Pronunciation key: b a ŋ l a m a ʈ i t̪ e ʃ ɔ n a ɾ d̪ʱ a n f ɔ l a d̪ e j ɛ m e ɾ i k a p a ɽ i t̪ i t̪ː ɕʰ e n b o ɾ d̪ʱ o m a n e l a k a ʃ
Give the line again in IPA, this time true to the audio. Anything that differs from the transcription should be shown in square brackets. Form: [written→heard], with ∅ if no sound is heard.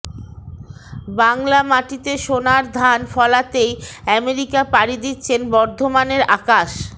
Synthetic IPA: b a ŋ l a m a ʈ i t̪ e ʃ [ɔ→o] n a ɾ d̪ʱ a n f ɔ l a [d̪→t̪] e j ɛ m e ɾ i k a p a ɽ i [t̪→d̪] i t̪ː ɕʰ e n b [o→ɔ] ɾ d̪ʱ o m a n e [l→ɾ] a k a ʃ